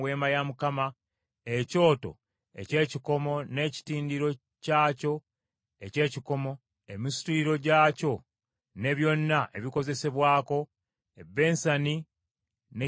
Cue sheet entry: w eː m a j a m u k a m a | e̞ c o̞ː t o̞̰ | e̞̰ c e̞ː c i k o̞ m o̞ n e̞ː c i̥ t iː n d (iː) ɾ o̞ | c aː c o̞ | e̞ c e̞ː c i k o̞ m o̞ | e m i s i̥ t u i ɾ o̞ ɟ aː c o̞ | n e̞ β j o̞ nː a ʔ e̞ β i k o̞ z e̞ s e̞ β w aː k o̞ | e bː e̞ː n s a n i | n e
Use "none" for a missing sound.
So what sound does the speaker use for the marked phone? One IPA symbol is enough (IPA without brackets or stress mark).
i